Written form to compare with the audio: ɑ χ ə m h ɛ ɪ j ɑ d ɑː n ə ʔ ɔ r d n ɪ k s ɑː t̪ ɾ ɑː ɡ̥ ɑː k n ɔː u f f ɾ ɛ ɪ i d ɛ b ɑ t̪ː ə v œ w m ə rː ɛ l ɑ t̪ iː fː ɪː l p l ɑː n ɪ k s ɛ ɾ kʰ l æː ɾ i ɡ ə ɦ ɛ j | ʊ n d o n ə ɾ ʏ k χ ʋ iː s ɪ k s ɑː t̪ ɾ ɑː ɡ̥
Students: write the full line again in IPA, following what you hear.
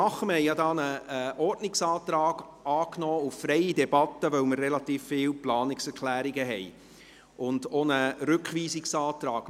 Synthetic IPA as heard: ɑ χ ə m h ɛ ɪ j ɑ d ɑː n ə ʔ ɔ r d n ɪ k s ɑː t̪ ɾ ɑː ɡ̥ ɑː k n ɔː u f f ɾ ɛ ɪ i d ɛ b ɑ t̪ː ə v œ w m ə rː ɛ l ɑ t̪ iː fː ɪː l p l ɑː n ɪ k s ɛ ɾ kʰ l æː ɾ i ɡ ə ɦ ɛ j | ʊ n d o n ə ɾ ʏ k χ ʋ iː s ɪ k s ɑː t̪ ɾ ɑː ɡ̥